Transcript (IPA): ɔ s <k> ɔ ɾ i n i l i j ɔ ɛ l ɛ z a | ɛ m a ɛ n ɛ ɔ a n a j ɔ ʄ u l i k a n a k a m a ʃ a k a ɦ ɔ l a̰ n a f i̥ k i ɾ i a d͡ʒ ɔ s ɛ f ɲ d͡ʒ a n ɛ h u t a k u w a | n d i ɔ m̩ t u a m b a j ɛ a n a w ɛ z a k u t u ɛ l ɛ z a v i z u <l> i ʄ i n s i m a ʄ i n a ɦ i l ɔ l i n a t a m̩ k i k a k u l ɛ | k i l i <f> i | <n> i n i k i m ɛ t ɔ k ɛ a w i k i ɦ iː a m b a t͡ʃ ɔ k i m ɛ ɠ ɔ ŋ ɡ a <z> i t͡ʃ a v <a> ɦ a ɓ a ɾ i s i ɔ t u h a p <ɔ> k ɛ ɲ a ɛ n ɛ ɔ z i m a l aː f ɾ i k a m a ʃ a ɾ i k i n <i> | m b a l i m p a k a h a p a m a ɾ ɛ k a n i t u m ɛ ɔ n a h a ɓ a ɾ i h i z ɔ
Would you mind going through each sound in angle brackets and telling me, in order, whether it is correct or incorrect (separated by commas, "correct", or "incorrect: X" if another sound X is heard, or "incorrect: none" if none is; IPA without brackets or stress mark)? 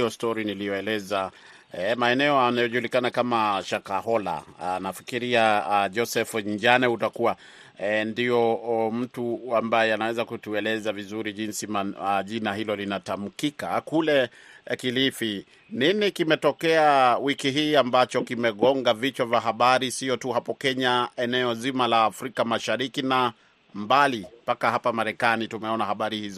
incorrect: t, incorrect: ɾ, correct, correct, incorrect: v, correct, correct, incorrect: a